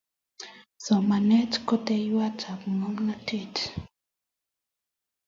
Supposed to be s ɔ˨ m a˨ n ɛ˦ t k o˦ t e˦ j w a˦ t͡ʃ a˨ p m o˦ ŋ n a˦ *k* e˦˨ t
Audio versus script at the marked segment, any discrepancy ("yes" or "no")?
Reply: yes